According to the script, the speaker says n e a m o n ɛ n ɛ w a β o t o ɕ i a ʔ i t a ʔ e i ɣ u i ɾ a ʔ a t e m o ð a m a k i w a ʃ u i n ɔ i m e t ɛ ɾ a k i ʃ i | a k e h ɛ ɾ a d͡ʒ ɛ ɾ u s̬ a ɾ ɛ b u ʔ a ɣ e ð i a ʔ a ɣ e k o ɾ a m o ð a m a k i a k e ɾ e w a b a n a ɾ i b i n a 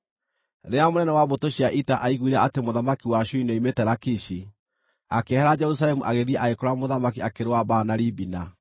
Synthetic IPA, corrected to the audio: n e a m o n ɛ n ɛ w a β o t o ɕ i a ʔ i t a ʔ a i ɣ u i ɾ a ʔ a t e m o ð a m a k i w a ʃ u i n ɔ i m e t ɛ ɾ a k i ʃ i | a k e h ɛ ɾ a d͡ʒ ɛ ɾ u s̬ a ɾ ɛ m u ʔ a ɣ e ð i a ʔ a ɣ e k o ɾ a m o ð a m a k i a k e ɾ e w a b a n a ɾ i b i n a